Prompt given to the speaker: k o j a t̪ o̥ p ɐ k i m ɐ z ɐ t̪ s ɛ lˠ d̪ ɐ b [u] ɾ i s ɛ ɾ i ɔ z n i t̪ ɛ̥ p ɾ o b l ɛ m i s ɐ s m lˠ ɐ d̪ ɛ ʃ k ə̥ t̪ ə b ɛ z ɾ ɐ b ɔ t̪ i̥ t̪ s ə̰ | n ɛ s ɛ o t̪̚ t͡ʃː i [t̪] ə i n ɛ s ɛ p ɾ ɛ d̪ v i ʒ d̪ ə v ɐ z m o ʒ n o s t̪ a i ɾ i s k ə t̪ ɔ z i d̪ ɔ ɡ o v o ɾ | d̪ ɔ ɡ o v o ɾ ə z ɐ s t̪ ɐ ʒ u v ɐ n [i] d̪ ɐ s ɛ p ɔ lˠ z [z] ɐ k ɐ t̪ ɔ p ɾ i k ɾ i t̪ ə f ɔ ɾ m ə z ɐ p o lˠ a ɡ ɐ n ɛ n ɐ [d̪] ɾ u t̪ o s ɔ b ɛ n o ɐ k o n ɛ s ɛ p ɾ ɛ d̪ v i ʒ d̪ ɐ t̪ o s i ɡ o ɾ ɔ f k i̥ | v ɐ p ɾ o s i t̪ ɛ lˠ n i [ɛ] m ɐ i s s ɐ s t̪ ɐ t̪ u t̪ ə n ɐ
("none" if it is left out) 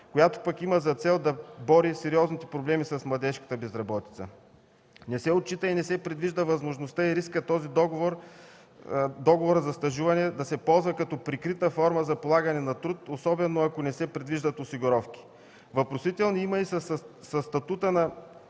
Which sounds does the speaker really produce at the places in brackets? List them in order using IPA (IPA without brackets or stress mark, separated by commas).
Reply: ɔ, t̪, ɛ, v, t̪, i